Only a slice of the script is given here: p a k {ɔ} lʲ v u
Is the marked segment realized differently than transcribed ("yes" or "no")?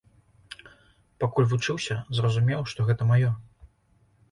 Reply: yes